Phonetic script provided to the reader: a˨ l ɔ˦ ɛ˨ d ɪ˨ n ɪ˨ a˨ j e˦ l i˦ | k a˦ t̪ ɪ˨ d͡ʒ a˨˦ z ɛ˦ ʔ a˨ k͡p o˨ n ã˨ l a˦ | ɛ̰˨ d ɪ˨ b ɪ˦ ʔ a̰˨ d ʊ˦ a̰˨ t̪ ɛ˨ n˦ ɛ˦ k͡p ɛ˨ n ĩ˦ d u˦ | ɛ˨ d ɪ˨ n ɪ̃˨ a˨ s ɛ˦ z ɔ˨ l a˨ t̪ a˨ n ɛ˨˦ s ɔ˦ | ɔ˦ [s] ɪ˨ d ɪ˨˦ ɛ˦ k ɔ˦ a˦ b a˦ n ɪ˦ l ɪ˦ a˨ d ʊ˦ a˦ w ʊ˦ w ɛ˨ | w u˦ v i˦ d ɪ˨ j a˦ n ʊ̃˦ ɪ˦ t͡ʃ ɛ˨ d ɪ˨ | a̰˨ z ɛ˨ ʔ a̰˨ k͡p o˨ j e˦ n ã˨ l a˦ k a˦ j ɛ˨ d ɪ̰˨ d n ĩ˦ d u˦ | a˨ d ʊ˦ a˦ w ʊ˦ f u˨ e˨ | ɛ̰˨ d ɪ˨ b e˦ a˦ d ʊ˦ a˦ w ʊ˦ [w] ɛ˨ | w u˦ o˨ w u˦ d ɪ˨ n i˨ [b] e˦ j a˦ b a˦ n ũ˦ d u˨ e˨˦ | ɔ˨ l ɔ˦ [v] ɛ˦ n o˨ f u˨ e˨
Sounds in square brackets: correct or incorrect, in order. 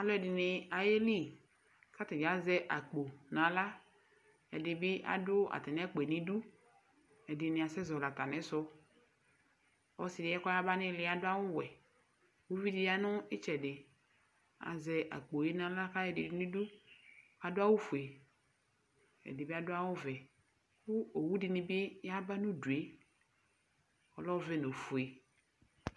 correct, incorrect: v, correct, correct

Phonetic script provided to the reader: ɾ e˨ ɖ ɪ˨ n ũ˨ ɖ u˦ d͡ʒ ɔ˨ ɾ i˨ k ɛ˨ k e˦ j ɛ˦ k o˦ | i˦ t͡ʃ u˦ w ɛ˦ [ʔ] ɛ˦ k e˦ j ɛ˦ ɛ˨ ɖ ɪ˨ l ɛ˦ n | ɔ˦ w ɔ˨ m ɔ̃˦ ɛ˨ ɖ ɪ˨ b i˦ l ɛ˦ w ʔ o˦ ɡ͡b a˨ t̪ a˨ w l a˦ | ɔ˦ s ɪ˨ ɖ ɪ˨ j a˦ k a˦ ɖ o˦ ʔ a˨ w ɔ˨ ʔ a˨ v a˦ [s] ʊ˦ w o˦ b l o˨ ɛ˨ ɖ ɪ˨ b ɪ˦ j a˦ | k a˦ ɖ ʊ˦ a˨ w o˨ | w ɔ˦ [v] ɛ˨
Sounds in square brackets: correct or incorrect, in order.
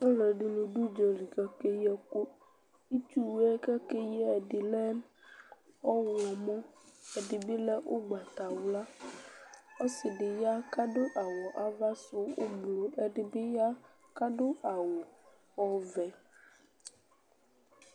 incorrect: k, correct, correct

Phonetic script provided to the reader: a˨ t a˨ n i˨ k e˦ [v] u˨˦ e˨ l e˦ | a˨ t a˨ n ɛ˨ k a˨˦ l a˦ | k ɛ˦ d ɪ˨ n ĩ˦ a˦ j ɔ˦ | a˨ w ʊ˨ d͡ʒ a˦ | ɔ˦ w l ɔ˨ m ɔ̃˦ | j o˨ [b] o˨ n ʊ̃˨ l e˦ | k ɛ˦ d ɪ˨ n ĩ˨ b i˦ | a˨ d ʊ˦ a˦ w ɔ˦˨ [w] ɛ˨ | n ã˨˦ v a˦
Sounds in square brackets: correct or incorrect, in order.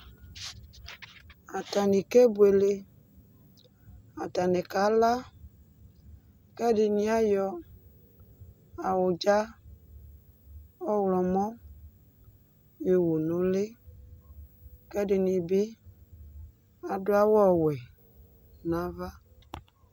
incorrect: b, incorrect: w, correct

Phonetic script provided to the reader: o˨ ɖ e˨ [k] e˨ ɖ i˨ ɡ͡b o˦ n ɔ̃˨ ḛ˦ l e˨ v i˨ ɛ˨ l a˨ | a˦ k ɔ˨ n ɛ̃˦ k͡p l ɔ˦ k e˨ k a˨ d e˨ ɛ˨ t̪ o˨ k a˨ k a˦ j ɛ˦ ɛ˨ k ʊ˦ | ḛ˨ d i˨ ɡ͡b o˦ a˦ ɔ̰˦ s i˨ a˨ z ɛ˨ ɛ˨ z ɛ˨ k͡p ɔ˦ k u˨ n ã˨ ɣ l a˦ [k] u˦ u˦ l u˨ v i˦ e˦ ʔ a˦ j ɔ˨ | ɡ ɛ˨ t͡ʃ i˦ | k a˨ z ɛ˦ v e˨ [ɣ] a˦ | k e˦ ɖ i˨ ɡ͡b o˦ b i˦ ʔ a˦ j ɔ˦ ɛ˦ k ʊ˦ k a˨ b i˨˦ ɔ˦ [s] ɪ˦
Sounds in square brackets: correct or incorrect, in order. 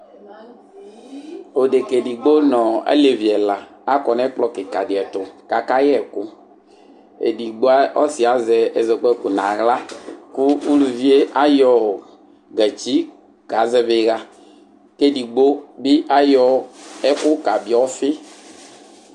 correct, correct, correct, incorrect: f

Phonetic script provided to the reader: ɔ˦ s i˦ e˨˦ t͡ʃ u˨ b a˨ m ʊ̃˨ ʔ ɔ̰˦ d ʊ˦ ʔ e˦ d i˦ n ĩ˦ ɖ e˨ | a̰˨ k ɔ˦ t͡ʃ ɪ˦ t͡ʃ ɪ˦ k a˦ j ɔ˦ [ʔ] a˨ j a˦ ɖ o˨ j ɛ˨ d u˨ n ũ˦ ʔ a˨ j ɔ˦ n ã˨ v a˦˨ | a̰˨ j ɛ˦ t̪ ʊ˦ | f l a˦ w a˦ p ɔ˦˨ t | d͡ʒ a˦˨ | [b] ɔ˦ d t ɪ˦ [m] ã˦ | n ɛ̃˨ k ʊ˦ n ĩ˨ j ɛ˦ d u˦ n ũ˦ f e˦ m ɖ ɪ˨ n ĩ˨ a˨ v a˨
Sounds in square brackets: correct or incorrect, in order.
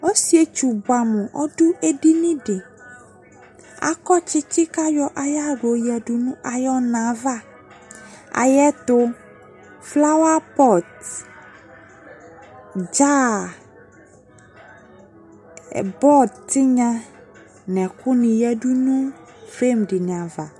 correct, correct, incorrect: ɲ

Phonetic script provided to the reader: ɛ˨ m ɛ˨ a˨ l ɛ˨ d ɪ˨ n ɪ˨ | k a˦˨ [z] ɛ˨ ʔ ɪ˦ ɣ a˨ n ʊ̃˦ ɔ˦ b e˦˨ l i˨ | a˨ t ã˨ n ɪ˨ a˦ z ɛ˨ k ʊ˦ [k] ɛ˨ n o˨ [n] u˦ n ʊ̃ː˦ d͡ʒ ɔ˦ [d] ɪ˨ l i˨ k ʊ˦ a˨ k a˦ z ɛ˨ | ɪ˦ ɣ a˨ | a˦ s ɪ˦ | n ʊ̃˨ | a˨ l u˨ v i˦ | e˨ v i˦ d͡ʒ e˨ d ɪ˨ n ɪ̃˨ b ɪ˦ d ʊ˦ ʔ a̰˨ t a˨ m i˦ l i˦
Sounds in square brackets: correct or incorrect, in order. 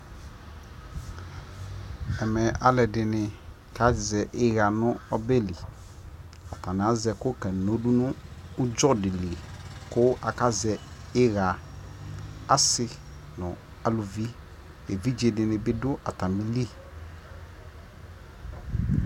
correct, correct, incorrect: d, correct

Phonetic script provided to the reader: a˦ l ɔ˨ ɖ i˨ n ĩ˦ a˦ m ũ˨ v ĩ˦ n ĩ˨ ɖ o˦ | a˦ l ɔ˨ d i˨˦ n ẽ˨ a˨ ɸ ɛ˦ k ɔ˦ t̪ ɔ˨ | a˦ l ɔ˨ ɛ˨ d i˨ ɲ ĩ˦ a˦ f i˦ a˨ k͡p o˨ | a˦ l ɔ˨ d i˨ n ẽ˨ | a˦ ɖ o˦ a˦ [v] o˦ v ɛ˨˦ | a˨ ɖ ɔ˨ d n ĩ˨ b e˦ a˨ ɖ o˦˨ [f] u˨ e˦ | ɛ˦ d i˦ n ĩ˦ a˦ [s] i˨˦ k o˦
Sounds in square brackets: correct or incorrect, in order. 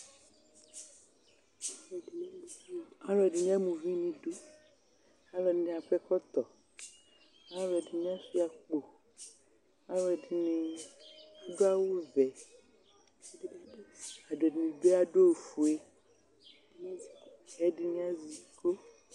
incorrect: w, correct, incorrect: z

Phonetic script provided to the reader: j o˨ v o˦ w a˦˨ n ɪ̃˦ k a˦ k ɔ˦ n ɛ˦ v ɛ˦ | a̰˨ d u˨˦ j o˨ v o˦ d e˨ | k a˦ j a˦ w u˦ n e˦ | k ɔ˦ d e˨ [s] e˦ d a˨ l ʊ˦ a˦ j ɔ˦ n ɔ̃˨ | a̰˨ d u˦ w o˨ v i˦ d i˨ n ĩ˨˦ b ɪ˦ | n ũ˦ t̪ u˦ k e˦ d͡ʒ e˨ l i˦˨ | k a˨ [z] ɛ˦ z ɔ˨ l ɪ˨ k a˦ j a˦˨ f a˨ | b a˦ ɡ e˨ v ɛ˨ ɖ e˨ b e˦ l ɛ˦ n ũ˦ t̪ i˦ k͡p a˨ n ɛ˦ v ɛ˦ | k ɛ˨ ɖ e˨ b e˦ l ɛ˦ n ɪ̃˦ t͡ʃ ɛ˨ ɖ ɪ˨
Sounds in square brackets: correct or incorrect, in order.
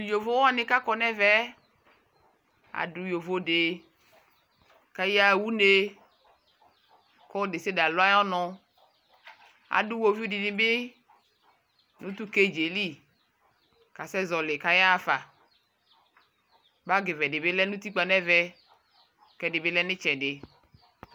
correct, incorrect: s

